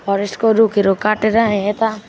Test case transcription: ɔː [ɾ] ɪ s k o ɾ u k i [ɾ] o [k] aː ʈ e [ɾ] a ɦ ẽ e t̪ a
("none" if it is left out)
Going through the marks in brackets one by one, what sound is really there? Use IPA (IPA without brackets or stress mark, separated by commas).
ɾ, ɾ, k, ɾ